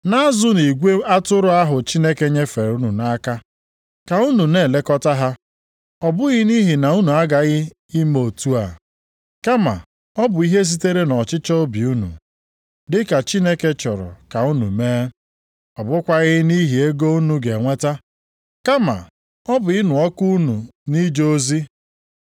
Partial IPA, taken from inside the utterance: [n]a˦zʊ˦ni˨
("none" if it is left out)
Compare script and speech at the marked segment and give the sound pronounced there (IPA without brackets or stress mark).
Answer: n